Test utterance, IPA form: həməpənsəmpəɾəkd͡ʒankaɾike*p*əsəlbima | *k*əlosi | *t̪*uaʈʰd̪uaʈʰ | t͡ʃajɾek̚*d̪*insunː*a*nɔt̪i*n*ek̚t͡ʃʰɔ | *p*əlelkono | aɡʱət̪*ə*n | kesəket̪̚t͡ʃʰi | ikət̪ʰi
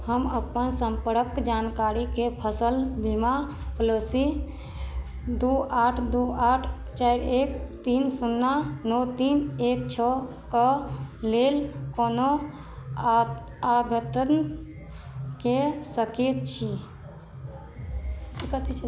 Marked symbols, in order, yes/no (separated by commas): no, no, no, no, yes, yes, no, yes